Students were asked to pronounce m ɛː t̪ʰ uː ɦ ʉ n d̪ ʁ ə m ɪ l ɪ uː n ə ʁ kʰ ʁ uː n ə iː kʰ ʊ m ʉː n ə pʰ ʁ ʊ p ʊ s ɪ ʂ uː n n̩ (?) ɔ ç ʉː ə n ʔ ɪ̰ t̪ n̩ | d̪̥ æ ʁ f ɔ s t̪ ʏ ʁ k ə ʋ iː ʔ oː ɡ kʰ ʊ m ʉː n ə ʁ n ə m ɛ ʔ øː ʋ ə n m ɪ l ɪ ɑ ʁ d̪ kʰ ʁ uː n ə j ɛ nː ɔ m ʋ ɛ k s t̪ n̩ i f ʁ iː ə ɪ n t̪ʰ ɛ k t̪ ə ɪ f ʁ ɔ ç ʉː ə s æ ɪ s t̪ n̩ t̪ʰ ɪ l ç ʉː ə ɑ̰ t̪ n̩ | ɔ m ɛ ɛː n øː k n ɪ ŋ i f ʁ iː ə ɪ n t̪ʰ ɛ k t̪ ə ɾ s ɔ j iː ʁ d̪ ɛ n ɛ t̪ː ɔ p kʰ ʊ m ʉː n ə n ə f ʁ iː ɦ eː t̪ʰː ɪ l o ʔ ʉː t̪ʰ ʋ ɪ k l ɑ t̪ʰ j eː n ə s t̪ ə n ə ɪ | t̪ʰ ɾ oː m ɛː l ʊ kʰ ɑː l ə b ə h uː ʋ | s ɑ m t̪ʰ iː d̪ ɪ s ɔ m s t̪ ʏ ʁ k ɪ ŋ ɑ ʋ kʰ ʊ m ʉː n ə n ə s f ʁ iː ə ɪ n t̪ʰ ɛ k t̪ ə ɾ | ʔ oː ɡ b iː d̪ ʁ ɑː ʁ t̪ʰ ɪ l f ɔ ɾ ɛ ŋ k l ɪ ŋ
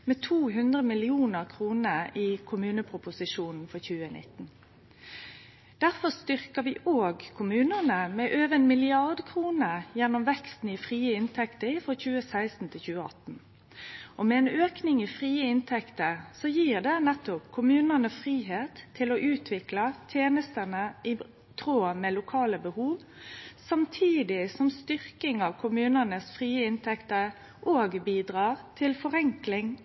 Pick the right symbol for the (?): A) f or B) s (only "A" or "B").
A